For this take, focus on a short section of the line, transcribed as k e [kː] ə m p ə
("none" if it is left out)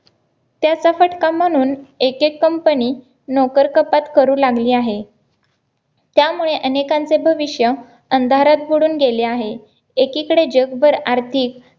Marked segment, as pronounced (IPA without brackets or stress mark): kː